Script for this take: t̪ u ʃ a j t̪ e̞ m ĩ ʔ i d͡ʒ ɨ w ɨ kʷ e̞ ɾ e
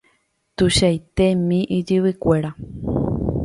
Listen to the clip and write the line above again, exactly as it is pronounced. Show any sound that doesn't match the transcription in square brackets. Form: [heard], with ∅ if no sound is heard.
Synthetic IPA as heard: t̪ u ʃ a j t̪ e̞ m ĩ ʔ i d͡ʒ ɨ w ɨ kʷ e̞ ɾ [a]